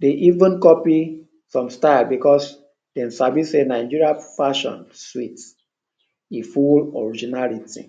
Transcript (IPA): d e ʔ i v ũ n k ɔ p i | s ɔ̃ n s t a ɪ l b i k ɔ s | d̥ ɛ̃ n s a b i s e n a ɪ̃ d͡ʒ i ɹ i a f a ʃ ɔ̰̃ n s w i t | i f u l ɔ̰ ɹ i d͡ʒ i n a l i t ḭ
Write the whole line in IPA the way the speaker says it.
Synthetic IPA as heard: d e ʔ i v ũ n k ɔ p i | s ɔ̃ m s t a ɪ l b i k ɔ s | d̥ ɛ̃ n s a b i s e n a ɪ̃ d͡ʒ i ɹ i a f a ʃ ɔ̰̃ n s w i t | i f u l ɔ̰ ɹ i d͡ʒ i n a l i t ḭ